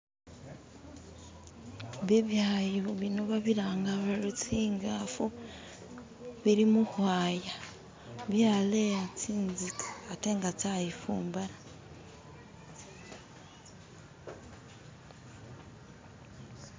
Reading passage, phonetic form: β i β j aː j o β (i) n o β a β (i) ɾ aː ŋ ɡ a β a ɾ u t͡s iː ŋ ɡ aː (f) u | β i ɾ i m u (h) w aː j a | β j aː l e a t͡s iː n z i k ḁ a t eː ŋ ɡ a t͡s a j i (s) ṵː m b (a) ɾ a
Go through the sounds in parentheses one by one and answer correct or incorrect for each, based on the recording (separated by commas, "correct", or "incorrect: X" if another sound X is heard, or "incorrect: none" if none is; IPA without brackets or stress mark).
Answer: correct, correct, correct, correct, incorrect: f, correct